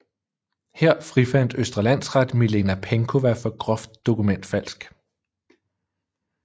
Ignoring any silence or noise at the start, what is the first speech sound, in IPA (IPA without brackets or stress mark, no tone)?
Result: h